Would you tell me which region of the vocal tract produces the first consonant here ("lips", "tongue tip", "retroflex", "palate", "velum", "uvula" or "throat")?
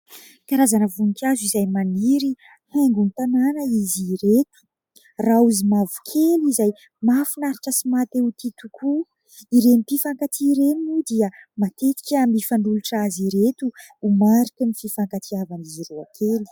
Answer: velum